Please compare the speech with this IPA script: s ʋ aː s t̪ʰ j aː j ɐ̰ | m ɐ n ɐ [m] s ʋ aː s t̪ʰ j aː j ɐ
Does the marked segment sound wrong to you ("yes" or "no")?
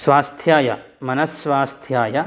yes